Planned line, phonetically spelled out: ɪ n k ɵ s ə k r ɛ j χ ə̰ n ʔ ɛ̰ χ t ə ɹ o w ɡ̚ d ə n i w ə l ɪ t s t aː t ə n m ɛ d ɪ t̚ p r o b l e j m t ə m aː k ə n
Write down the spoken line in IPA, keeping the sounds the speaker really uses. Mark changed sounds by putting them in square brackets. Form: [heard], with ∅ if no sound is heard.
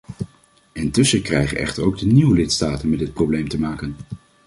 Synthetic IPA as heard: ɪ n [t] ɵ s ə k r ɛ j χ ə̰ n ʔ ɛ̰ χ t ə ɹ o w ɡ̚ d ə n i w ə l ɪ t s t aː t ə n m ɛ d ɪ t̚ p r o b l e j m t ə m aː k ə n